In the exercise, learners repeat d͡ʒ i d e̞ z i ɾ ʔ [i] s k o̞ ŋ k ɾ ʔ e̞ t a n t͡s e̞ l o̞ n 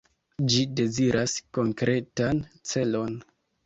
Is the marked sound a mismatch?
yes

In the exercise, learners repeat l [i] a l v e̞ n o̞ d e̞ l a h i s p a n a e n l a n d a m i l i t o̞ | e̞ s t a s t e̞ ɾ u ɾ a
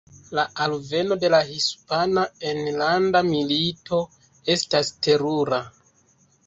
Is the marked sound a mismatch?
yes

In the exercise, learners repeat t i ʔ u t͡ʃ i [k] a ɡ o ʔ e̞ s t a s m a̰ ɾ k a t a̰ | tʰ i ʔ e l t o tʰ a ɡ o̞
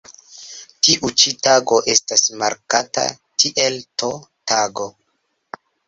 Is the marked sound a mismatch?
yes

